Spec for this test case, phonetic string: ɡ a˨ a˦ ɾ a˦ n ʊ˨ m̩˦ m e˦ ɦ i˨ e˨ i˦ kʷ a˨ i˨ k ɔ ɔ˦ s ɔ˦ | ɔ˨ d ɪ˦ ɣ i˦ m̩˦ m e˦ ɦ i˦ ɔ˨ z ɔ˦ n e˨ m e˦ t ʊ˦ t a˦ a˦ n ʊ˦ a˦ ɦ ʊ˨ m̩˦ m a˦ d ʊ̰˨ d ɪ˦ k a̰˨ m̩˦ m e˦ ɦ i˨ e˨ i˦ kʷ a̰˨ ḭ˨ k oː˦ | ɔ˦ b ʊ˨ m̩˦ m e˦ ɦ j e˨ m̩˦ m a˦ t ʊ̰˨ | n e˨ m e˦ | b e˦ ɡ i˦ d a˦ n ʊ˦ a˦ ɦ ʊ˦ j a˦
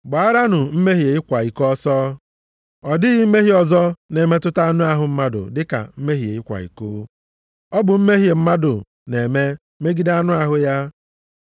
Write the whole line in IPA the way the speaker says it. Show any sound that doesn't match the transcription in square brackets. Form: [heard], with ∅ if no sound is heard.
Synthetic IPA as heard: [ɡ͡b] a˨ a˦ ɾ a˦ n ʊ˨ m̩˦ m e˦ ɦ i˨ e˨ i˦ kʷ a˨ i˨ k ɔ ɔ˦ s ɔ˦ | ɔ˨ d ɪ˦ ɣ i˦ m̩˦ m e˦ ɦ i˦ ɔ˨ z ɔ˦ n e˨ m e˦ t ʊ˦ t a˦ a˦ n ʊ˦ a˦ ɦ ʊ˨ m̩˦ m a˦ d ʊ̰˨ d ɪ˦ k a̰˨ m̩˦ m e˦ ɦ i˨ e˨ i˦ kʷ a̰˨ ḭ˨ k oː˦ | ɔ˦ b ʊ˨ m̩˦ m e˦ ɦ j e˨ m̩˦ m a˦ [d] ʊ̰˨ | n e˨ m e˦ | [m] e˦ ɡ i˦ d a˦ n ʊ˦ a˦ ɦ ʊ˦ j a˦